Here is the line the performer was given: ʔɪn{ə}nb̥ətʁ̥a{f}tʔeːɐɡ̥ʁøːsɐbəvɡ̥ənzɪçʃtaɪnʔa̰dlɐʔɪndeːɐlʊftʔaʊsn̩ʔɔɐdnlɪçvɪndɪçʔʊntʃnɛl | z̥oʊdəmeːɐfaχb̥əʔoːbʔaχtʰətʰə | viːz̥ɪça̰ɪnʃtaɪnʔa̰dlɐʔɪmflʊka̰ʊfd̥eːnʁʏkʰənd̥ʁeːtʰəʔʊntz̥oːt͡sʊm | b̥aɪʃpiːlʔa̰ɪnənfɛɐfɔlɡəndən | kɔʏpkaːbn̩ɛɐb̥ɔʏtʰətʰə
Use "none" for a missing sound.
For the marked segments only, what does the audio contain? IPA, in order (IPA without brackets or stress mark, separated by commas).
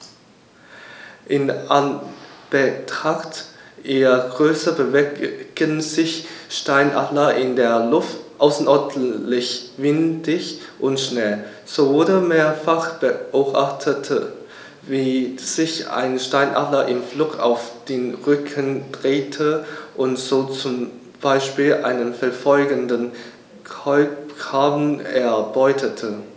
a, χ